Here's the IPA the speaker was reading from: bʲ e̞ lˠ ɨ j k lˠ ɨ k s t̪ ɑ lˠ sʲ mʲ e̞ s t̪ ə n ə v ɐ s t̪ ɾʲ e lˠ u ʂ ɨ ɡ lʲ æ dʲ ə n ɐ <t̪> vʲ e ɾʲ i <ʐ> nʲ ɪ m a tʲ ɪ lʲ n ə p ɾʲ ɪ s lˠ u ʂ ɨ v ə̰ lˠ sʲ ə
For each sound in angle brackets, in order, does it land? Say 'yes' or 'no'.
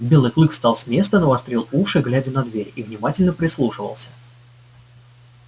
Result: no, no

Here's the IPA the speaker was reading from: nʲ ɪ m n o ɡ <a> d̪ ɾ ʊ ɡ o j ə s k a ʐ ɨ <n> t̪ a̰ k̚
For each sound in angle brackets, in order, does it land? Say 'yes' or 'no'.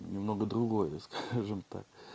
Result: no, no

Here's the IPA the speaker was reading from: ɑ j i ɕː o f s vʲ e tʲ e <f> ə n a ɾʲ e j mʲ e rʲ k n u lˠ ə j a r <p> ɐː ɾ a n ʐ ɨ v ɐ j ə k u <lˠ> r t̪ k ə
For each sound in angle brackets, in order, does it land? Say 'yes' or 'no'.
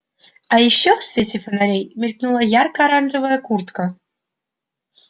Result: yes, no, no

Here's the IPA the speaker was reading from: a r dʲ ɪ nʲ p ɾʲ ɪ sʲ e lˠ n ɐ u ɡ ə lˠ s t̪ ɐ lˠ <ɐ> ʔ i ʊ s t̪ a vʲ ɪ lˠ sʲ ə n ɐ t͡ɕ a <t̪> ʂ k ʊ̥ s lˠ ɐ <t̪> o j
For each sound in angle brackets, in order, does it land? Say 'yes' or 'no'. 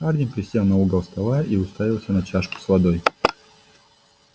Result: no, no, no

